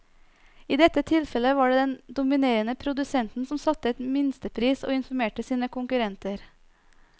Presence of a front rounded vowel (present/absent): absent